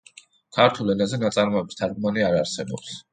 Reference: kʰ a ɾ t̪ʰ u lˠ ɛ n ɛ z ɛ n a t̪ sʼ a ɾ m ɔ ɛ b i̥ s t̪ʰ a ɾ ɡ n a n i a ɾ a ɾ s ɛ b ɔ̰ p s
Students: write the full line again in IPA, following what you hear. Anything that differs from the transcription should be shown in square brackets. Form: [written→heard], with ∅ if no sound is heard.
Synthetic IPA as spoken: kʰ a ɾ t̪ʰ u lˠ ɛ n [ɛ→a] z ɛ n a t̪ sʼ a ɾ m ɔ ɛ b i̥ s t̪ʰ a ɾ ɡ [n→m] a n i a ɾ a ɾ s ɛ b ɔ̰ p s